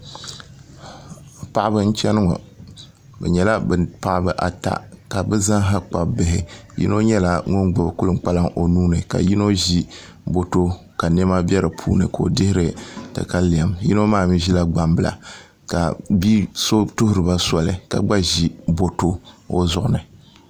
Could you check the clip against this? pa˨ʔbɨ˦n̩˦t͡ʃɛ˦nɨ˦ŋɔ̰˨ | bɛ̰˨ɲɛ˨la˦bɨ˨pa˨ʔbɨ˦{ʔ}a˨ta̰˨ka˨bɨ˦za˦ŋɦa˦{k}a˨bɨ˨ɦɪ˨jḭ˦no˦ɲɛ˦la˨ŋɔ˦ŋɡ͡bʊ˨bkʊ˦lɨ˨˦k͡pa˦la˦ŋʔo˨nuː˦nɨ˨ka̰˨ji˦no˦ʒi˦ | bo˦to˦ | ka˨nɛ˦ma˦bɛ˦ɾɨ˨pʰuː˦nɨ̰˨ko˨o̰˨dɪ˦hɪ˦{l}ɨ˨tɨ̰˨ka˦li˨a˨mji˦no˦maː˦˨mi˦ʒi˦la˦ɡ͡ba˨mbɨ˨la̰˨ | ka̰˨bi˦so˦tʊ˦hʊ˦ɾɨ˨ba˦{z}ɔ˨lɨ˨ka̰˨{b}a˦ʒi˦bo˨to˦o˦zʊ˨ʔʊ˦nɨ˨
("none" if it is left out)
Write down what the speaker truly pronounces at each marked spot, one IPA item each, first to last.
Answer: ʔ, k͡p, ɾ, s, ɡ͡b

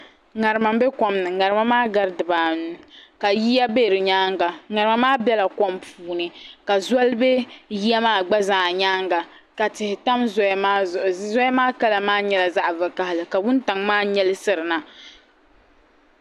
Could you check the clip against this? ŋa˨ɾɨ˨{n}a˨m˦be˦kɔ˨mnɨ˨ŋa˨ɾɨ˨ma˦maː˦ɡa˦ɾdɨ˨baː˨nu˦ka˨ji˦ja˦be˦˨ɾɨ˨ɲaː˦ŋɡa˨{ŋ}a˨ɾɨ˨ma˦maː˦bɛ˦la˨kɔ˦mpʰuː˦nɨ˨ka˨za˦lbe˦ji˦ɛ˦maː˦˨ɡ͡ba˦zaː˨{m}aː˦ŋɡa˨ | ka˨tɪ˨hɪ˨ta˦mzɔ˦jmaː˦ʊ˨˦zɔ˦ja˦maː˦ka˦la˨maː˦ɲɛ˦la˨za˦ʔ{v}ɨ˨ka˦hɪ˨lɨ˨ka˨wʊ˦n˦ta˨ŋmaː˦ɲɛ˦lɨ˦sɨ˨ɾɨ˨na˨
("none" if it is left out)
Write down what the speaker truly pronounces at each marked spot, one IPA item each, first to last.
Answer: m, ŋ, ɲ, v

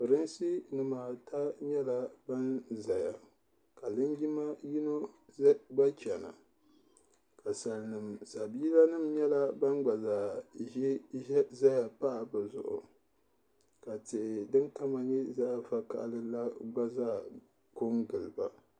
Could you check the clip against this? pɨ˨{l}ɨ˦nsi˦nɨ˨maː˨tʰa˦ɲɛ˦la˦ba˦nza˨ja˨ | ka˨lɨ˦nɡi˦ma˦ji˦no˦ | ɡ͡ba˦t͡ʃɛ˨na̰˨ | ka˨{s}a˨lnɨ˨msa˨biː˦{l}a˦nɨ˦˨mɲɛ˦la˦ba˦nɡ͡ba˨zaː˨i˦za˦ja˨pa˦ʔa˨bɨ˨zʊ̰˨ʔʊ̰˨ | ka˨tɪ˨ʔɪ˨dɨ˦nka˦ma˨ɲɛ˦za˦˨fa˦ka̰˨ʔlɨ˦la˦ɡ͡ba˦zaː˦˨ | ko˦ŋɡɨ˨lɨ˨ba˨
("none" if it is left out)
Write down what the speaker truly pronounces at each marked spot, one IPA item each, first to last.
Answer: ɾ, s, l

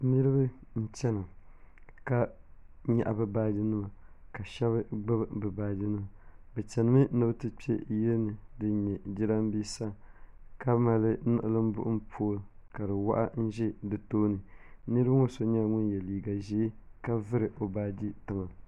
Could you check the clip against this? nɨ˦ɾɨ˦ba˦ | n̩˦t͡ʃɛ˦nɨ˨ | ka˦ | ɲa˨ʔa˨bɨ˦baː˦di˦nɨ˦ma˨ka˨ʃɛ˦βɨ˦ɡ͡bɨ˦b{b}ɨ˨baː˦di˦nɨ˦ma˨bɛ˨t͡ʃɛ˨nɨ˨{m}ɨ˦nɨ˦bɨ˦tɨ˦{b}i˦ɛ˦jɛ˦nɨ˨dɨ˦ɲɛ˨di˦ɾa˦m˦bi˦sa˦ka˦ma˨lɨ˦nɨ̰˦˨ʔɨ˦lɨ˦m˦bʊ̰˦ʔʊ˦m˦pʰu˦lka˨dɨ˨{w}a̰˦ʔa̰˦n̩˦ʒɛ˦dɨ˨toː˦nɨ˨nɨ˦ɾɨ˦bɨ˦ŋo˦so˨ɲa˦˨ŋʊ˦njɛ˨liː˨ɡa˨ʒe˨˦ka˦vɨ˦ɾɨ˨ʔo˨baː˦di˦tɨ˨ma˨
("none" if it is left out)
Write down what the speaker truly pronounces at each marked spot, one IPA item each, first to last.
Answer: b, m, p, w

